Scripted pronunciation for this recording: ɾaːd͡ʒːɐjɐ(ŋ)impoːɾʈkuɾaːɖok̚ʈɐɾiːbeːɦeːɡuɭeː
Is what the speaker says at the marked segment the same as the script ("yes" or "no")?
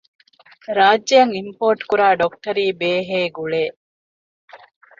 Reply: yes